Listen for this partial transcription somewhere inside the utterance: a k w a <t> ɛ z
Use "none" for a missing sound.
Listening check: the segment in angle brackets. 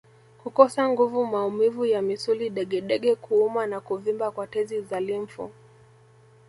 t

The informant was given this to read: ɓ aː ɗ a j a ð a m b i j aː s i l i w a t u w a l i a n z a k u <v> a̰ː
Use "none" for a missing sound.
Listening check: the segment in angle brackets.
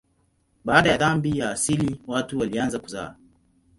z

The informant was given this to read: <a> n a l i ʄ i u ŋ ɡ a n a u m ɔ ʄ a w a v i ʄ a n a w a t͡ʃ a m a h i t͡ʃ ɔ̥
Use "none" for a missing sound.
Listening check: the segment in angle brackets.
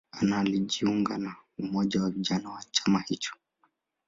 a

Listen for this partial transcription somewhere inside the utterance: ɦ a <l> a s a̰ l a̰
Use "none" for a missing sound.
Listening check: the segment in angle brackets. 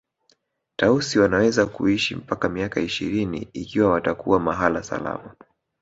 l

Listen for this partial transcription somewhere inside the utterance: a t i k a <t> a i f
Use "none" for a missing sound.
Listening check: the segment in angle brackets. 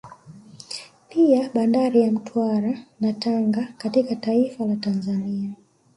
t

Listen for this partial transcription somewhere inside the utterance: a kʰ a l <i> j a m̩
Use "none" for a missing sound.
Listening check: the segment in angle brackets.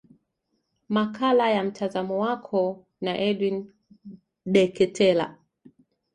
a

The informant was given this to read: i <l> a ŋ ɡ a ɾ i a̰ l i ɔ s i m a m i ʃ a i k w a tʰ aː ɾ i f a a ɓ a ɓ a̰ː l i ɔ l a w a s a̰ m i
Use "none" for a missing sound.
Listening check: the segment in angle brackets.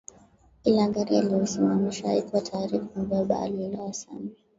l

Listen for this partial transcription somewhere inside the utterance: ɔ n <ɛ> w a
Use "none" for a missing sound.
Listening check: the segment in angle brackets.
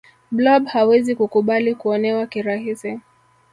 ɛ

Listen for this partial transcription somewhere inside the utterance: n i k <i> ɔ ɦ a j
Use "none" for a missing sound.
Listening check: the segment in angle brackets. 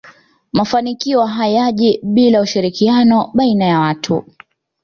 i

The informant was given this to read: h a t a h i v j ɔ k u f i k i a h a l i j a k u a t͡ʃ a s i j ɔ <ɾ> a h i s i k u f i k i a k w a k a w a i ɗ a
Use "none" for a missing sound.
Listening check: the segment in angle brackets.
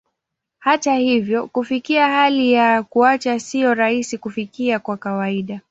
ɾ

